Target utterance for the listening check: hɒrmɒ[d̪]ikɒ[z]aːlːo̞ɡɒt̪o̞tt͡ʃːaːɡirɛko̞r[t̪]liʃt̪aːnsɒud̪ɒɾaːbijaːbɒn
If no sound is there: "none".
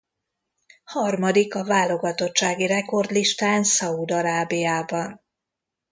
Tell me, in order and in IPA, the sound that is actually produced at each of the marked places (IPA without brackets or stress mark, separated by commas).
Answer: d̪, v, d̪